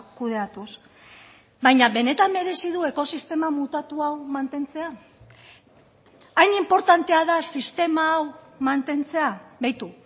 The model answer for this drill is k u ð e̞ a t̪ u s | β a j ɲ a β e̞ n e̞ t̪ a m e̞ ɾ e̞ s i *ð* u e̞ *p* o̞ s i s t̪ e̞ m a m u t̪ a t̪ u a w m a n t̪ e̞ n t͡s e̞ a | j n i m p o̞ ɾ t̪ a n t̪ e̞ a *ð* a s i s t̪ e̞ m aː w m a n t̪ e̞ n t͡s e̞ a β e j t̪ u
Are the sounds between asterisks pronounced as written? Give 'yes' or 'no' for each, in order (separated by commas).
yes, no, yes